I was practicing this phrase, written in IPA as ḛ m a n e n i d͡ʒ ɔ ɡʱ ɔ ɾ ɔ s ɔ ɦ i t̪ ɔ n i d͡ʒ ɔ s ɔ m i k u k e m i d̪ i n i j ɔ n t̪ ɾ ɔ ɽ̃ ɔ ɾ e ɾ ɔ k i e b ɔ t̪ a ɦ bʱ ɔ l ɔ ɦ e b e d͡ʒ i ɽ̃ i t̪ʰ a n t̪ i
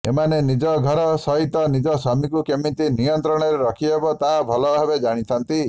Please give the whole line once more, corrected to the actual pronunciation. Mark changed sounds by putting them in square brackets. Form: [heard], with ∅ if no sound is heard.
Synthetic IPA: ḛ m a n e n i d͡ʒ ɔ ɡʱ ɔ ɾ ɔ s ɔ ɦ i t̪ ɔ n i d͡ʒ ɔ s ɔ m i k u k e m i [t̪] i n i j ɔ n t̪ ɾ ɔ ɽ̃ ɔ ɾ e ɾ ɔ [kʰ] i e b ɔ t̪ a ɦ bʱ ɔ l ɔ ɦ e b e d͡ʒ [a] ɽ̃ i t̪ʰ a n t̪ i